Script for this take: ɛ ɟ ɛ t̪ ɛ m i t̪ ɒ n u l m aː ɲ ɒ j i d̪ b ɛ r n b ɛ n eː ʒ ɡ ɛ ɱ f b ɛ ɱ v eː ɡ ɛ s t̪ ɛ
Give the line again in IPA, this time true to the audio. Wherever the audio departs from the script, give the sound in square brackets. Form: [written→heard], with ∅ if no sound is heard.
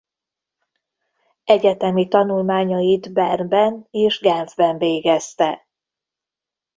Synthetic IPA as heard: ɛ ɟ ɛ t̪ ɛ m i t̪ ɒ n u l m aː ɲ ɒ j i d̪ b ɛ r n b ɛ n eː ʒ ɡ ɛ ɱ [f→v] b ɛ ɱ v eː ɡ ɛ s t̪ ɛ